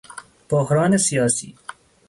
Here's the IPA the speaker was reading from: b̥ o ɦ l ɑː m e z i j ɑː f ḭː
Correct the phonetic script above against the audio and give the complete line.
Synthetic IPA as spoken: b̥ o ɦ ɾ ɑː n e s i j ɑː s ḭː